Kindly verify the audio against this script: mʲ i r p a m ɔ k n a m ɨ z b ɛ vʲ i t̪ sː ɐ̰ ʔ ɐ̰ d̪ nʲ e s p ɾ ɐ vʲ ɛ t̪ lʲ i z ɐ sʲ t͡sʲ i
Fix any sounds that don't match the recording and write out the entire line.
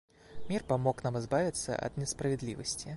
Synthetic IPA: mʲ i r p a m ɔ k n a m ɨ z b a vʲ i t̪ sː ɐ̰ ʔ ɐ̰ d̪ nʲ ɛ s p ɾ ɐ vʲ ɛ d̪ lʲ i v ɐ sʲ t͡sʲ i